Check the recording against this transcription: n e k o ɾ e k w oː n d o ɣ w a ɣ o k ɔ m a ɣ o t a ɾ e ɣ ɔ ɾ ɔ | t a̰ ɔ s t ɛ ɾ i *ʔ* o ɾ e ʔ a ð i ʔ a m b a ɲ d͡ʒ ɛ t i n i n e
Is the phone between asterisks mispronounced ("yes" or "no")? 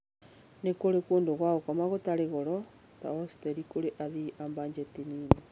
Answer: yes